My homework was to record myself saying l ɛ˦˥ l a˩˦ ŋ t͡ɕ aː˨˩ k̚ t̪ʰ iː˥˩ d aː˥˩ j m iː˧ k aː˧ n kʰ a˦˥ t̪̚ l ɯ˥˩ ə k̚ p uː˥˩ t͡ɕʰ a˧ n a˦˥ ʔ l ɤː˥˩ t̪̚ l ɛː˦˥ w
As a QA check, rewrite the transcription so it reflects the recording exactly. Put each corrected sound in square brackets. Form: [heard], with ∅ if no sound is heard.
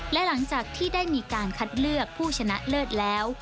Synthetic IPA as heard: l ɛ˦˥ l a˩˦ ŋ t͡ɕ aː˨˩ k̚ t̪ʰ iː˥˩ d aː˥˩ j m iː˧ k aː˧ n kʰ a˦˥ t̪̚ l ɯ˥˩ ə k̚ [pʰ] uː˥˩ t͡ɕʰ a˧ n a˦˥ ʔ l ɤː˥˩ t̪̚ l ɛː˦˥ w